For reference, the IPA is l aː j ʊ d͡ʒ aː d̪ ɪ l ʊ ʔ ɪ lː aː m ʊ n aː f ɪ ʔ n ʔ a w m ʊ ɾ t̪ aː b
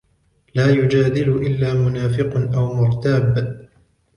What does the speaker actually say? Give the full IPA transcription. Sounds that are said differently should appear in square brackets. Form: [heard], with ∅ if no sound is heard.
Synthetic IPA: l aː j ʊ d͡ʒ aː d̪ ɪ l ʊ ʔ ɪ lː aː m ʊ n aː f ɪ [q] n ʔ a w m ʊ ɾ t̪ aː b